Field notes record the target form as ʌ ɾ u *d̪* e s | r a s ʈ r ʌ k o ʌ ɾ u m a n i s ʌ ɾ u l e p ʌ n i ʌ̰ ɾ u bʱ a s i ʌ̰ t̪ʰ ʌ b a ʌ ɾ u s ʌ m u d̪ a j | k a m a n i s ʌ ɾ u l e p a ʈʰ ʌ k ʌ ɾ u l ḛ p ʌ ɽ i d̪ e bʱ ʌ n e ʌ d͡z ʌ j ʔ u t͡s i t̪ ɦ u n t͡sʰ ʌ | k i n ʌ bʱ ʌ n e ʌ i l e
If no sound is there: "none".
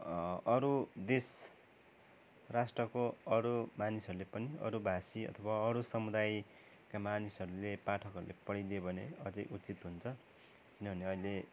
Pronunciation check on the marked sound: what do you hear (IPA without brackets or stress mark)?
d̪